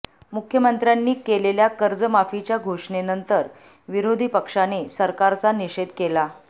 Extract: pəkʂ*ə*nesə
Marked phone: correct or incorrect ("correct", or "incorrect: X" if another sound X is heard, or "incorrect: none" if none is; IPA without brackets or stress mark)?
incorrect: a